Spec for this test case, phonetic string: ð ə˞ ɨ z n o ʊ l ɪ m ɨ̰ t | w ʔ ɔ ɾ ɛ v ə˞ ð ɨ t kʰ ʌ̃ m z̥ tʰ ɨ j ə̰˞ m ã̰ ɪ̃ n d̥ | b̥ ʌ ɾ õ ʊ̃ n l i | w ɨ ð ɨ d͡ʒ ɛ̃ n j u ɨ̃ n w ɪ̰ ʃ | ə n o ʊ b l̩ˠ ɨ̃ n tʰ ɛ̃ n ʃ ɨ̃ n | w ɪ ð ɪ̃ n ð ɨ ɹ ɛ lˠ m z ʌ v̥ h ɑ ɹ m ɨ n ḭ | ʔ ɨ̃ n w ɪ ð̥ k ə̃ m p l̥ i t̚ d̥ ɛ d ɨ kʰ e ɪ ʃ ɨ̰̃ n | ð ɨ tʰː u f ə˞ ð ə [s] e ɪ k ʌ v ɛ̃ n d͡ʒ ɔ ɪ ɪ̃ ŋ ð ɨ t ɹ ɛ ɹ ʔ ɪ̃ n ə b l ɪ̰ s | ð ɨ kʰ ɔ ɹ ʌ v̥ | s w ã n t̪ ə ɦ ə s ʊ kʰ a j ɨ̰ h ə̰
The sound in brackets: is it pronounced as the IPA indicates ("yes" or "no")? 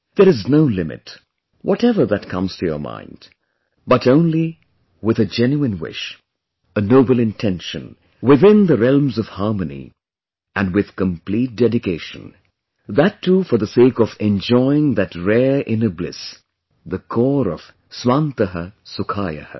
yes